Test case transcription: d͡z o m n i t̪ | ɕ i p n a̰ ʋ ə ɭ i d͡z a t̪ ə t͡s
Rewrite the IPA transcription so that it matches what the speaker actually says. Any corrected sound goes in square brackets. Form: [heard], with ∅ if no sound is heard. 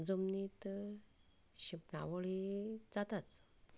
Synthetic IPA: d͡z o m n i t̪ | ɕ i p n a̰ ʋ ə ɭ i d͡z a t̪ [a] t͡s